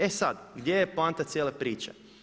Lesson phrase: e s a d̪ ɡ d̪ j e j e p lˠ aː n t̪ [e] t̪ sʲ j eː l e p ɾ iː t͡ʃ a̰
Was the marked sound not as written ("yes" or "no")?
yes